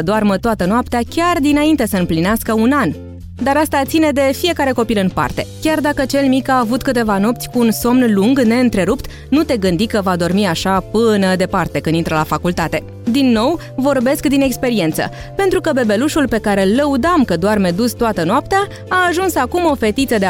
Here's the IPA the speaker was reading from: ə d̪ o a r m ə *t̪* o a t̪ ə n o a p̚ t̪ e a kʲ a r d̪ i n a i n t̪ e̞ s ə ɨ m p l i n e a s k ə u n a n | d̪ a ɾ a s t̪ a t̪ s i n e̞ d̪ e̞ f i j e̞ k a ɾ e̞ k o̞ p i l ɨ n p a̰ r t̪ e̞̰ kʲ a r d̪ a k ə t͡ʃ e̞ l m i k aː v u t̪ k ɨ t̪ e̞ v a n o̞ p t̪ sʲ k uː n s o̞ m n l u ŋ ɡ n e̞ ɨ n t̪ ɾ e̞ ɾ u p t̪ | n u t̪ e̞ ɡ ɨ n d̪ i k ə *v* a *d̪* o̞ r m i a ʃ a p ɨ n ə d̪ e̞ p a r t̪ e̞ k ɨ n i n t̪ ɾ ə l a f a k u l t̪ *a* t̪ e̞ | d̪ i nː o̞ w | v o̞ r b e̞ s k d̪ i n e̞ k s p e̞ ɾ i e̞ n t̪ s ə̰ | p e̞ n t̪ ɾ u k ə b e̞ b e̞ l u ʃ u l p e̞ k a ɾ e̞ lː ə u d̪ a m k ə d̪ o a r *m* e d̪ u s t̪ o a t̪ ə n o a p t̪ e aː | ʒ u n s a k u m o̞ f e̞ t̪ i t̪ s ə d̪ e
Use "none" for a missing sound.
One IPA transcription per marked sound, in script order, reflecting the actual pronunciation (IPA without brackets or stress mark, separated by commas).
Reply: t̪, v, d̪, a, m